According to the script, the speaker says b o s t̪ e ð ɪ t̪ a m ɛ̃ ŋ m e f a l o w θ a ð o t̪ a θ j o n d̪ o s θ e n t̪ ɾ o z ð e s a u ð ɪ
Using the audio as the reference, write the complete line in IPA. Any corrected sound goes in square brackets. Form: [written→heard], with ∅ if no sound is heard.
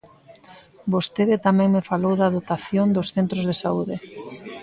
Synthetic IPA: b o s t̪ e ð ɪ t̪ a m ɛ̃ ŋ m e f a l o w [θ→ð] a ð o t̪ a θ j o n d̪ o s θ e n t̪ ɾ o z ð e s a u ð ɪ